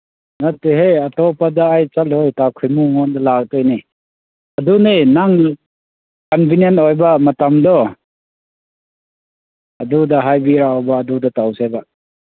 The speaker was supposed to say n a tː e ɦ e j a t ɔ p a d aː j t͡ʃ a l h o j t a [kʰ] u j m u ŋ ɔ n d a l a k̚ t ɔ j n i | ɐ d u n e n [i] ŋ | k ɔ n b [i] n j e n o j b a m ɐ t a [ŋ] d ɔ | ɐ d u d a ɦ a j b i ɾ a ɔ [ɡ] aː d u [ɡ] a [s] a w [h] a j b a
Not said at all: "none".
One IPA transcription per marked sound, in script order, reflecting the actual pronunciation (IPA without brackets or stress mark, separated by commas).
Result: kʰ, a, i, m, b, d, t, s